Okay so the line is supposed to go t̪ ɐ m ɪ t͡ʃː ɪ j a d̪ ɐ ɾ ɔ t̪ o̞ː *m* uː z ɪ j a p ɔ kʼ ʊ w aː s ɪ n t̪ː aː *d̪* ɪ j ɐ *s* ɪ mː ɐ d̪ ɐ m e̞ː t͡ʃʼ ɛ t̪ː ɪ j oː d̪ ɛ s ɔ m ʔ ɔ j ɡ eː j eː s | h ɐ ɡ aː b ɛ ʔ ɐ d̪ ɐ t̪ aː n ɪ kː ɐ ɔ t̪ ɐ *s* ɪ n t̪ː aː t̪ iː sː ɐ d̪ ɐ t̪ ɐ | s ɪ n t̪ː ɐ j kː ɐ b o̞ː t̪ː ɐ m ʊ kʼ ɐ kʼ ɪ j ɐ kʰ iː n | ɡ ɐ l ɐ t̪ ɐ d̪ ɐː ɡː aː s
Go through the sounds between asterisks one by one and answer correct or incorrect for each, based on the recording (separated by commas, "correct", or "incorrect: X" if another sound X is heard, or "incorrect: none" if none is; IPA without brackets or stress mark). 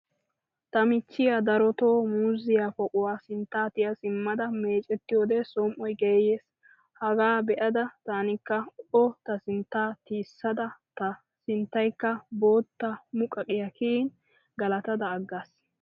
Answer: correct, incorrect: t̪, correct, correct